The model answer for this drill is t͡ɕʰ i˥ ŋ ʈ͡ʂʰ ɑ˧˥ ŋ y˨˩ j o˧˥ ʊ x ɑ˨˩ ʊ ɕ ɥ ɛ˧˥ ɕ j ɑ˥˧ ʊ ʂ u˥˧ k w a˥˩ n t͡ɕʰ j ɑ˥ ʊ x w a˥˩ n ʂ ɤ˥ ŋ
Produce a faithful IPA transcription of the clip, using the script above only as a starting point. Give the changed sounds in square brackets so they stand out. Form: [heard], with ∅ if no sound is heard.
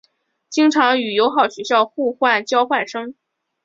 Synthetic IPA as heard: [t͡ɕ] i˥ ŋ ʈ͡ʂʰ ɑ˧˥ ŋ y˨˩ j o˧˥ ʊ x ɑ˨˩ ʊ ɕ ɥ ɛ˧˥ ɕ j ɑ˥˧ ʊ [x] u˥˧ [x] w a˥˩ n [t͡ɕ] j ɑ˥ ʊ x w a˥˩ n ʂ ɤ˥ ŋ

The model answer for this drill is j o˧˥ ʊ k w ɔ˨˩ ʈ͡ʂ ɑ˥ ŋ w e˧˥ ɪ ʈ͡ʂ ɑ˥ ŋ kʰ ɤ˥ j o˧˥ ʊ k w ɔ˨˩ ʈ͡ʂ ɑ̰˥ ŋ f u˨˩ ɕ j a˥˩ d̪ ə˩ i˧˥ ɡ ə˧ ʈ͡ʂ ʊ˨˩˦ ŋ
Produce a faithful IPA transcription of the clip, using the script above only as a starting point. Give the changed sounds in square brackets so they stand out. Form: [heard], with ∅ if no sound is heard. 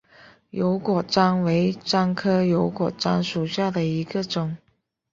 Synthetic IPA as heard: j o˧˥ ʊ k w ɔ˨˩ ʈ͡ʂ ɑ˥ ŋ w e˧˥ ɪ ʈ͡ʂ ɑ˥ ŋ kʰ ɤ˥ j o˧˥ ʊ k w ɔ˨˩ ʈ͡ʂ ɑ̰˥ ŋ [ʂ] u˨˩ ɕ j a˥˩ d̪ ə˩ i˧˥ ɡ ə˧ ʈ͡ʂ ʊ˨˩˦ ŋ

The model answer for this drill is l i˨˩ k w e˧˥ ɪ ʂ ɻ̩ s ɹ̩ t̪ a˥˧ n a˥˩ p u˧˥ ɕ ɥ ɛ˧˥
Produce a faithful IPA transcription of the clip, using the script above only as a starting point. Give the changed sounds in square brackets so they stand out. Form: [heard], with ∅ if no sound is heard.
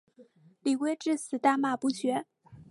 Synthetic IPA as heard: l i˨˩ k w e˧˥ ɪ [ʈ͡ʂ] ɻ̩ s ɹ̩ t̪ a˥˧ [m] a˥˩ p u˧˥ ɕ ɥ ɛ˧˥

